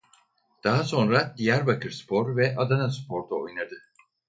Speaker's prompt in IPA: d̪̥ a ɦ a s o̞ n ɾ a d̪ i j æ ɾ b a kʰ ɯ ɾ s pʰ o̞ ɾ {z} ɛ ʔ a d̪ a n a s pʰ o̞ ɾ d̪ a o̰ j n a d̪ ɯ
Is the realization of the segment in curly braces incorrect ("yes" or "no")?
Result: yes